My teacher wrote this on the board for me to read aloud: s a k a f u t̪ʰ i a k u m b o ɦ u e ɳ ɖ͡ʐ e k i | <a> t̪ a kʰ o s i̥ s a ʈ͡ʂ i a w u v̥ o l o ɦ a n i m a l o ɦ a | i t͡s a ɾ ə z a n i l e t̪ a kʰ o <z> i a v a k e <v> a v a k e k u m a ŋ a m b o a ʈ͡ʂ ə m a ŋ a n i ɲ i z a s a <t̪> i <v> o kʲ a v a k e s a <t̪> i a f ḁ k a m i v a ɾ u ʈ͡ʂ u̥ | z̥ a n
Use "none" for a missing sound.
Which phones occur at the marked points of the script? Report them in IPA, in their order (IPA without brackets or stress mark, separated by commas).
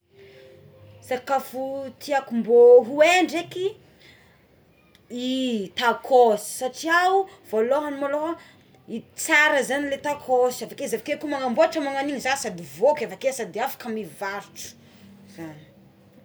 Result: i, s, z, d̪, v, d̪